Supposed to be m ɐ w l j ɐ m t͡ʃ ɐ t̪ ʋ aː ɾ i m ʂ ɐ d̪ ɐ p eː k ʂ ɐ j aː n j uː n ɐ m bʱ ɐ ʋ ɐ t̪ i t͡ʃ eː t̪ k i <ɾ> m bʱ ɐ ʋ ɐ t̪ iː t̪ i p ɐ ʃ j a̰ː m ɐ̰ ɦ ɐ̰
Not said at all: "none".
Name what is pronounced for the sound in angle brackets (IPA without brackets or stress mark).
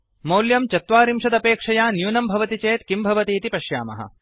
none